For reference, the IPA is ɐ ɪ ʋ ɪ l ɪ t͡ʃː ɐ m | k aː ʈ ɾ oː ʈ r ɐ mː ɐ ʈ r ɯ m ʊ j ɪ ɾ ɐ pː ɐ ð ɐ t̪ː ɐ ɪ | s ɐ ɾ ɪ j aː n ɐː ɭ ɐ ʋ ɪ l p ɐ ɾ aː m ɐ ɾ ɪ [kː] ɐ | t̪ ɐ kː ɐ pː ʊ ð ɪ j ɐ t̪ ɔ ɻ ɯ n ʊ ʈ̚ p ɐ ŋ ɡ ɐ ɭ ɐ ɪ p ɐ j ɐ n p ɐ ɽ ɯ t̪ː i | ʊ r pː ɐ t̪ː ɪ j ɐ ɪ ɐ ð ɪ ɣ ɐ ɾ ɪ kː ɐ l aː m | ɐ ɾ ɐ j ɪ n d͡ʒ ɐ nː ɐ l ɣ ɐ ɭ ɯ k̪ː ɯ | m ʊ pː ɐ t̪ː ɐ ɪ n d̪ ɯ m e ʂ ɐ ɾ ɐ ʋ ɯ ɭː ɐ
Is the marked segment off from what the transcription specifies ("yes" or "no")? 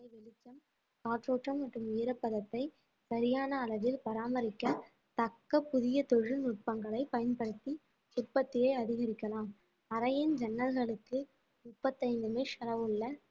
no